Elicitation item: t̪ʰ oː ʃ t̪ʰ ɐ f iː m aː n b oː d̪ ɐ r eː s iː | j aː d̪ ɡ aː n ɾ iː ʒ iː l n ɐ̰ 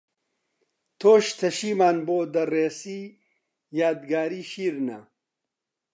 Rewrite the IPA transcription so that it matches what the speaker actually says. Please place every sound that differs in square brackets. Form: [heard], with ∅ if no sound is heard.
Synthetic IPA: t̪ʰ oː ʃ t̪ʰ ɐ [ʃ] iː m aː n b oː d̪ ɐ r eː s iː | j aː d̪ ɡ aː [∅] ɾ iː [ʃ] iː [ɾ] n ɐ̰

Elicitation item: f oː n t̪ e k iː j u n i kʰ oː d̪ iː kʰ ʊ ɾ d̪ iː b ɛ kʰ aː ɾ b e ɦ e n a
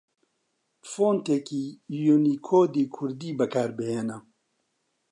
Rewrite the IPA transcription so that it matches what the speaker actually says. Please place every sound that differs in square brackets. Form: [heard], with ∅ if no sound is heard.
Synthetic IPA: f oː n t̪ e k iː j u n i kʰ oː d̪ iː kʰ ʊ ɾ d̪ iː b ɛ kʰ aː ɾ b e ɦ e n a

